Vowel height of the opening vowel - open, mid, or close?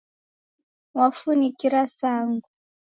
open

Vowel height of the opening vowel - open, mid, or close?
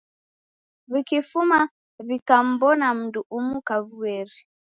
close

